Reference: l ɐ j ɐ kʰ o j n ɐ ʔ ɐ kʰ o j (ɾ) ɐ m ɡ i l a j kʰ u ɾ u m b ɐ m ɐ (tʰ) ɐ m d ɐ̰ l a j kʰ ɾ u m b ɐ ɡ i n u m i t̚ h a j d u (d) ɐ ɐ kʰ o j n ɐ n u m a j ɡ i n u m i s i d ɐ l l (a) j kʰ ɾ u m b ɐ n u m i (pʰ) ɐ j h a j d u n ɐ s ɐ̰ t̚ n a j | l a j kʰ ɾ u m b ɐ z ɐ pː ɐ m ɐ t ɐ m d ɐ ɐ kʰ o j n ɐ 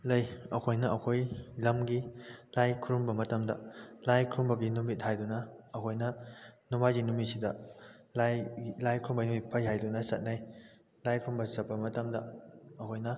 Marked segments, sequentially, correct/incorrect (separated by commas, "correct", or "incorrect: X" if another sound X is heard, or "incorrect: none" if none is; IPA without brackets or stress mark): incorrect: l, incorrect: t, incorrect: n, correct, correct